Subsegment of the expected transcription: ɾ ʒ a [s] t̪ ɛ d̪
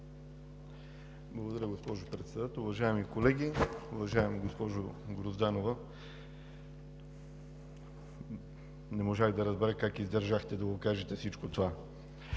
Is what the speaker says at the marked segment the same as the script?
no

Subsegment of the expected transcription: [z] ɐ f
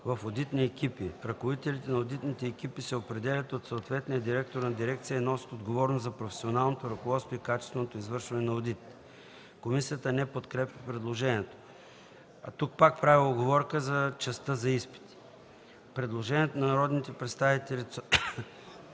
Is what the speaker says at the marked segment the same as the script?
no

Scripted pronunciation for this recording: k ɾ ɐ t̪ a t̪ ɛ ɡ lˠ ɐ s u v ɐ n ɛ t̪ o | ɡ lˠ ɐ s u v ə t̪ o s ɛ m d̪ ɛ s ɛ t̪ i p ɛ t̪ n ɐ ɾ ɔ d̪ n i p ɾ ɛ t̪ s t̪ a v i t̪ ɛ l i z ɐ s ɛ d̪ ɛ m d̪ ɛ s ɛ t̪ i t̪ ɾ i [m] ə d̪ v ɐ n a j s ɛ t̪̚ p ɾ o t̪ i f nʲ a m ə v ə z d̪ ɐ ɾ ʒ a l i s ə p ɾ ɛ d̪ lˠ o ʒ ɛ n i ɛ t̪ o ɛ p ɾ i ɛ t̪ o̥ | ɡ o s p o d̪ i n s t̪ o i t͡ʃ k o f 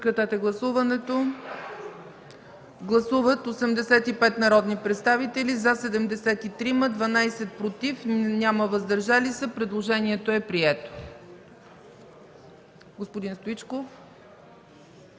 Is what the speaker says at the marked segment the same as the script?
yes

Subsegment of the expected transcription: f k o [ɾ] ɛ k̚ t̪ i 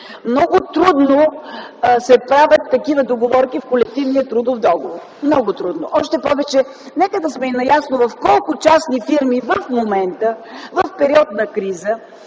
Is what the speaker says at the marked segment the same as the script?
no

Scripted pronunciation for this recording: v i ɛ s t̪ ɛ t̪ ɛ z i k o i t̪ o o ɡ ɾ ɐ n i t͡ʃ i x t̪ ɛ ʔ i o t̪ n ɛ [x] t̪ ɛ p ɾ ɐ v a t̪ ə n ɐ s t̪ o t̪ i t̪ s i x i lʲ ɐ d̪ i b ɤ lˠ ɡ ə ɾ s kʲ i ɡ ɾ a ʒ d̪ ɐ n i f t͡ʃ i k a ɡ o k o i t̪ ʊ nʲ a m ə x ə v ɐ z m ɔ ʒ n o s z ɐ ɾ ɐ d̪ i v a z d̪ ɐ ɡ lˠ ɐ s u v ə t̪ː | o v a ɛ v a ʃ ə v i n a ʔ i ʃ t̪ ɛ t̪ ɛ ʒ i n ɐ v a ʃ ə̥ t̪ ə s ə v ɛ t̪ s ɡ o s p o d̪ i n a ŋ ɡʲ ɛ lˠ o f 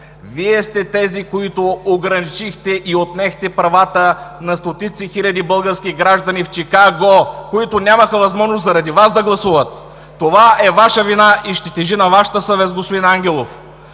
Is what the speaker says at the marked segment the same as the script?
yes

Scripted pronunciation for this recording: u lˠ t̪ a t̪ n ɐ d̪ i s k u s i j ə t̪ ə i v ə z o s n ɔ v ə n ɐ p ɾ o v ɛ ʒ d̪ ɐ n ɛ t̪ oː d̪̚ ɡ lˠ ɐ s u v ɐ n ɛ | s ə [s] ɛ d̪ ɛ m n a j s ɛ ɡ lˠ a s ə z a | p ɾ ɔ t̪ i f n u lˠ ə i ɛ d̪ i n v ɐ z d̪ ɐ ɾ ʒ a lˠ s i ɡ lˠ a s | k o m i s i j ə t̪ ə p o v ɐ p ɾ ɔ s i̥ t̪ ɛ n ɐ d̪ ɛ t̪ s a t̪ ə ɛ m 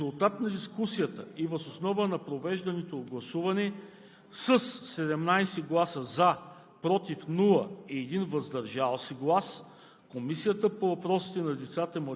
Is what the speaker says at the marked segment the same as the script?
no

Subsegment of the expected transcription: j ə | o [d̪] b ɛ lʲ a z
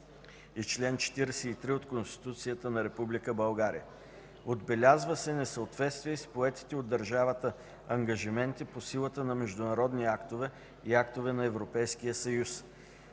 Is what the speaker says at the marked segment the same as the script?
yes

